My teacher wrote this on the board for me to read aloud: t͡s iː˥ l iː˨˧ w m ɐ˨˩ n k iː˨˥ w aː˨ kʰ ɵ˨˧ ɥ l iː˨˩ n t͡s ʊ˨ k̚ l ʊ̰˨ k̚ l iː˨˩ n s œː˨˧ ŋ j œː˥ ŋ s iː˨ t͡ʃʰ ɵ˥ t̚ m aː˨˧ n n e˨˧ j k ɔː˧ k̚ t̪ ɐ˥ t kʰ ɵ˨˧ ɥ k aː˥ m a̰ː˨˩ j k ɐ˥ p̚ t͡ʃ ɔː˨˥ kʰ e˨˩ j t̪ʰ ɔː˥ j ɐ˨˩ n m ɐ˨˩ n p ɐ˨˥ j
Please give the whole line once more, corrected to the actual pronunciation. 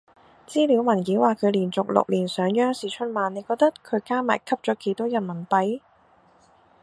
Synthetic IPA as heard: t͡s iː˥ l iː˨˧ w m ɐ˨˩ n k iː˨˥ w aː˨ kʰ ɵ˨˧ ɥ l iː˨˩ n t͡s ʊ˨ k̚ l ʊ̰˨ k̚ l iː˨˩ n s œː˨˧ ŋ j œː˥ ŋ s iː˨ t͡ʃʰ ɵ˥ t̚ m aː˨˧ n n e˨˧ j k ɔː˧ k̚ t̪ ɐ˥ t kʰ ɵ˨˧ ɥ k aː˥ m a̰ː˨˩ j kʰ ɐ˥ p̚ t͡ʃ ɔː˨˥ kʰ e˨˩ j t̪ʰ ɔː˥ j ɐ˨˩ n m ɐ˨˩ n p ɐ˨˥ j